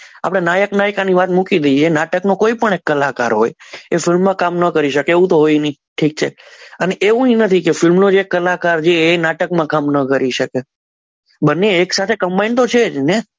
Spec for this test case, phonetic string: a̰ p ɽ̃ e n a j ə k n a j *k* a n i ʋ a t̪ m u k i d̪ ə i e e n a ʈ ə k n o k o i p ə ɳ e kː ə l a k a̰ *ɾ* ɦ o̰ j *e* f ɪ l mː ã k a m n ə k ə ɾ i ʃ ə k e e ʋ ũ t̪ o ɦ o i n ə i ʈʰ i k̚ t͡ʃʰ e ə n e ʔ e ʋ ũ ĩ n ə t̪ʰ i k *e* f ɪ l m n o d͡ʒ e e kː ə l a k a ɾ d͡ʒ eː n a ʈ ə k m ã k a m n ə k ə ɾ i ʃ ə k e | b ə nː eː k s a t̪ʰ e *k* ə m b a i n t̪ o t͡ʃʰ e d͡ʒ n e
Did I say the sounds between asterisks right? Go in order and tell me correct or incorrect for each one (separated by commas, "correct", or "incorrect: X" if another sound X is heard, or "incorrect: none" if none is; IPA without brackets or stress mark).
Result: correct, correct, correct, correct, correct